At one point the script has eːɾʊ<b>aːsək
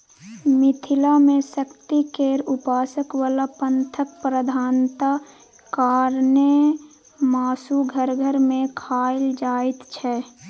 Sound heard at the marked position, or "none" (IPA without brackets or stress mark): p